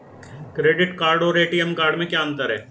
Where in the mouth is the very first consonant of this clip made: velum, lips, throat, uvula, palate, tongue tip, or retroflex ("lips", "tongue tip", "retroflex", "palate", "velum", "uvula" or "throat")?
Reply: velum